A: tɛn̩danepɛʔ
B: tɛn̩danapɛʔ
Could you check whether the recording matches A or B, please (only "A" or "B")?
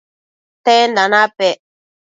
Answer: B